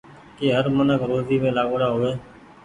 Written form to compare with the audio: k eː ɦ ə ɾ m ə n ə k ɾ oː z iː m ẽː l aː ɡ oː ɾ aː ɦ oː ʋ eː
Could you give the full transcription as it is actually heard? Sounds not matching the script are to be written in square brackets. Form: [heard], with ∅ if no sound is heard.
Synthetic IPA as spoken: k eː ɦ ə ɾ m ə n ə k ɾ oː z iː m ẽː l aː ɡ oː [ɽ] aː ɦ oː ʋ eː